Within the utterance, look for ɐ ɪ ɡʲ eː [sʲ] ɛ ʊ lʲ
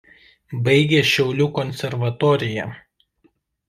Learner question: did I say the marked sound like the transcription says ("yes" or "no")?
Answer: no